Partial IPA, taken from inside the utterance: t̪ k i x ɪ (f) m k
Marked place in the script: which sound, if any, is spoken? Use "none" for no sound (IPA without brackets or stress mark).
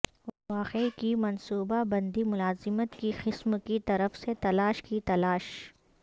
s